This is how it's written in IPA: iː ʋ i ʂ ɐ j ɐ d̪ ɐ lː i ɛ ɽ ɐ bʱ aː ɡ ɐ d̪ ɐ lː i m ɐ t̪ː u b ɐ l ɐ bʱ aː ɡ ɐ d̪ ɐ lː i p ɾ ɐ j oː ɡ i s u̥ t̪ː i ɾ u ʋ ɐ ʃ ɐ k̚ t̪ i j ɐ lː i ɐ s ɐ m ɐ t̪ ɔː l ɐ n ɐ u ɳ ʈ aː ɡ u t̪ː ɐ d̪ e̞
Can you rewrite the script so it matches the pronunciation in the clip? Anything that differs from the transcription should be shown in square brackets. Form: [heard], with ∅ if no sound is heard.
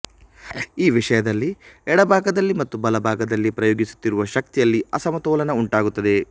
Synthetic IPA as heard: iː ʋ i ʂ ɐ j ɐ d̪ ɐ lː i ɛ ɽ ɐ bʱ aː ɡ ɐ d̪ ɐ lː i m ɐ t̪ː u b ɐ l ɐ bʱ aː ɡ ɐ d̪ ɐ lː i p ɾ ɐ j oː ɡ i s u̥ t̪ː i ɾ u ʋ ɐ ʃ ɐ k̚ t̪ i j ɐ lː i ɐ s ɐ m ɐ t̪ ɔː l ɐ n ɐ u ɳ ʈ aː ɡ u t̪ː ɐ d̪ e̞